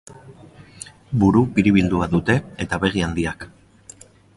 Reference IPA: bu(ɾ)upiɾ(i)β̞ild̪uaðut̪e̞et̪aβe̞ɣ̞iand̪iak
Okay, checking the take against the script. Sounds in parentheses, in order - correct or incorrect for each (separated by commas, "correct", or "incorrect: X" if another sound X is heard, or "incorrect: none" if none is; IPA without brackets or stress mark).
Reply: correct, correct